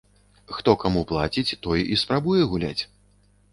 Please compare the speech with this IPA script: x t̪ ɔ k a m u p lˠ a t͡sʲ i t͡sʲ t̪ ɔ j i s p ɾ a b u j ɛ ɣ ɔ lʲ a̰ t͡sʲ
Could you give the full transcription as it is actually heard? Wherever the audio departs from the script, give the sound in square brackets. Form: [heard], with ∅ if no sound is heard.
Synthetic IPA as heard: x t̪ ɔ k a m u p lˠ a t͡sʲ i t͡sʲ t̪ ɔ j i s p ɾ a b u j ɛ ɣ [u] lʲ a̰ t͡sʲ